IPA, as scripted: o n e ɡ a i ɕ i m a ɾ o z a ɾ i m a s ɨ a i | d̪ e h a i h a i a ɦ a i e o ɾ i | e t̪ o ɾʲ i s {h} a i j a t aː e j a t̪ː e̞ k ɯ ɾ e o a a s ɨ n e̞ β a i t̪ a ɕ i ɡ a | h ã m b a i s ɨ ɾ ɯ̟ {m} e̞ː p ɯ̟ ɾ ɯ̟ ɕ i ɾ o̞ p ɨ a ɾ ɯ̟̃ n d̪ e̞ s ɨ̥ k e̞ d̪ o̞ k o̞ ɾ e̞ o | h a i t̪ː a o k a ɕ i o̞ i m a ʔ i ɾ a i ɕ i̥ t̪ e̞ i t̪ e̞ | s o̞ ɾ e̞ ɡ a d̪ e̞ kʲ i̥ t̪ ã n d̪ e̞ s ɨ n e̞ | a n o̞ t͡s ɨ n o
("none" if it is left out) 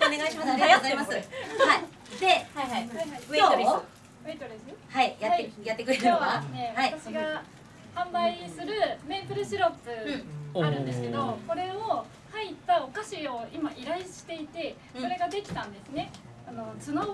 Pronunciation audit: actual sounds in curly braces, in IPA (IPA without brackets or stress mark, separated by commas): h, m